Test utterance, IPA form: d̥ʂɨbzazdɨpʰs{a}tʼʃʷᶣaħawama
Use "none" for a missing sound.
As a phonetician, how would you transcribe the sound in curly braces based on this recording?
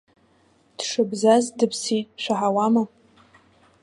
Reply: i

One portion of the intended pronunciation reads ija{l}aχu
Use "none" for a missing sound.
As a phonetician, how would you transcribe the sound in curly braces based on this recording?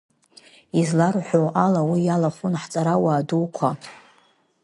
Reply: l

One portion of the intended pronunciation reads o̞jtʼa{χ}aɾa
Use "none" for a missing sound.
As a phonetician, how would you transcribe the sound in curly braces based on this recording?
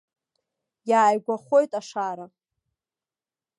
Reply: ʂ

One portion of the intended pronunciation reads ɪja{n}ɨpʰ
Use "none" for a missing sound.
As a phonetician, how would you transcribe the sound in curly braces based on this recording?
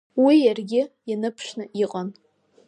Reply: n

